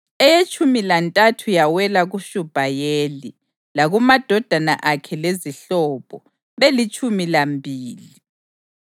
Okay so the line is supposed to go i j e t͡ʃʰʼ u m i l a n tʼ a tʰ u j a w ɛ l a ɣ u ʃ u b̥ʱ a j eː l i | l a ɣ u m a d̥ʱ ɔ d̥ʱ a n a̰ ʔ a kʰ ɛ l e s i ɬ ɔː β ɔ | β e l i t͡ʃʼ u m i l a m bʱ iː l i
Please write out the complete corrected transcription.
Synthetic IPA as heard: ɛ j e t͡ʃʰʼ u m i l a n tʼ a tʰ u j a w ɛ l a ɣ u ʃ u b̥ʱ a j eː l i | l a ɣ u m a d̥ʱ ɔ d̥ʱ a n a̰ ʔ a kʰ ɛ l e z i ɬ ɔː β ɔ | β e l i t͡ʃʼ u m i l a m bʱ iː l i